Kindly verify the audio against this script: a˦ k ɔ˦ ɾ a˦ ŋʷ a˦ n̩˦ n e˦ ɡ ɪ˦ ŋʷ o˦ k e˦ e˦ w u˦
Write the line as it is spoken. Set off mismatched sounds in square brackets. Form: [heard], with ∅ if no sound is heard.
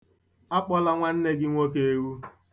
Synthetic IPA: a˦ [k͡p] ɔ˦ [l] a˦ ŋʷ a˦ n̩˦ n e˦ ɡ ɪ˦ ŋʷ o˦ k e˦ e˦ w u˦